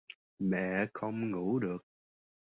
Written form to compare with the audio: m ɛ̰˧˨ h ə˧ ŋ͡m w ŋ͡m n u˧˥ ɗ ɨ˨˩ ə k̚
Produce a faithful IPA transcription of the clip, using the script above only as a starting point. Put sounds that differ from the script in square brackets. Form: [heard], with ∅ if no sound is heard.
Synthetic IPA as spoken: m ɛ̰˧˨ [x] ə˧ [∅] w ŋ͡m [ŋ] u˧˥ ɗ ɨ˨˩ ə k̚